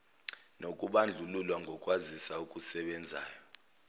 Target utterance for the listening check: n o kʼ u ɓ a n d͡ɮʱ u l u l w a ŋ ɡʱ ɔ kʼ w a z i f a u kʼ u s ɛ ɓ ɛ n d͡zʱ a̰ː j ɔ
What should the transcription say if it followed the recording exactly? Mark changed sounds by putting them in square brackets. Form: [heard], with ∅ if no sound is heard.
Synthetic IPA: n o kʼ u ɓ a n d͡ɮʱ u l u l w a ŋ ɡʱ ɔ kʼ w a z i [s] a u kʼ u s ɛ ɓ ɛ n d͡zʱ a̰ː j ɔ